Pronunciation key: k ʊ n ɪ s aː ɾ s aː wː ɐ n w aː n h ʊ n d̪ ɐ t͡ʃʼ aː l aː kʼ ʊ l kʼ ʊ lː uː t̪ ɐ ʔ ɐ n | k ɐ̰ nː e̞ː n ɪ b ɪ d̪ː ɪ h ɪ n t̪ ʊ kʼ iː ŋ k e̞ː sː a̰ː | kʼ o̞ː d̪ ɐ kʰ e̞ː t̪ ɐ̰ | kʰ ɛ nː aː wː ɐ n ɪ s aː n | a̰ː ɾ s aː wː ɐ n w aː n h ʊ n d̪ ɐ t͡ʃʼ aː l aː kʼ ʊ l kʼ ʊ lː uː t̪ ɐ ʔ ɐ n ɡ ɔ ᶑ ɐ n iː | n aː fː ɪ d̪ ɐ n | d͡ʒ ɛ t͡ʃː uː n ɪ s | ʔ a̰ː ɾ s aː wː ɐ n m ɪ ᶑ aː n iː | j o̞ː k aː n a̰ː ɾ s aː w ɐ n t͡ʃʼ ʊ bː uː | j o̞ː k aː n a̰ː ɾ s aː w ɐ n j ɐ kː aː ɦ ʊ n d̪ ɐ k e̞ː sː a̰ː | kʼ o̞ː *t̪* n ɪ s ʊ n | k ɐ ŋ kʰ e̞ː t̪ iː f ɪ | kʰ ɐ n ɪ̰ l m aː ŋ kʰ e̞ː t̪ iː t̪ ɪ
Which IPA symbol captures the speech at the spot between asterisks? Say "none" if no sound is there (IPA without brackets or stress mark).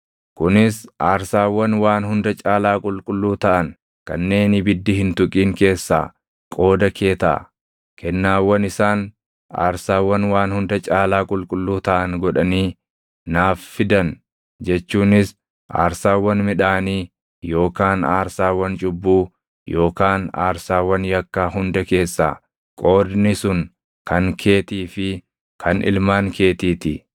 d̪